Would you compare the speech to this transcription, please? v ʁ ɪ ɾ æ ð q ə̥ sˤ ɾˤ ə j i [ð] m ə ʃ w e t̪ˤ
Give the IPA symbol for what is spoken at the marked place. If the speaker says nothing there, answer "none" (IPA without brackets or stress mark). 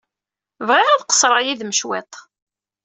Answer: ð